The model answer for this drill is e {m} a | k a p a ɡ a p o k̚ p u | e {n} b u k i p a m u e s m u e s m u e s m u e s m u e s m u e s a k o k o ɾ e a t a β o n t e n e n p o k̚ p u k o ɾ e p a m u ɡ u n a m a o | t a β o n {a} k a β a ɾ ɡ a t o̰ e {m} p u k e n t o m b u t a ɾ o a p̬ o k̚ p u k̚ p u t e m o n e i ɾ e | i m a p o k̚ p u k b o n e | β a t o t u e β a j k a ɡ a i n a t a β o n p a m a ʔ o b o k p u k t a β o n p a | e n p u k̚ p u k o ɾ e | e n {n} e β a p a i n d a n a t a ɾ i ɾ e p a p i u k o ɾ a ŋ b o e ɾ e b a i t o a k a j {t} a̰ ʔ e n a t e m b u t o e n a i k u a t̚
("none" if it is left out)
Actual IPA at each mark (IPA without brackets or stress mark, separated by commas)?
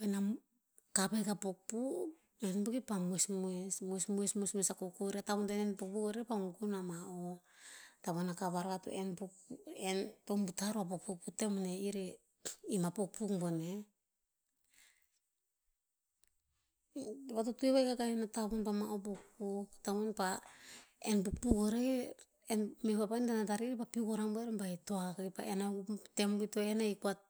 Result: n, n, a, n, m, p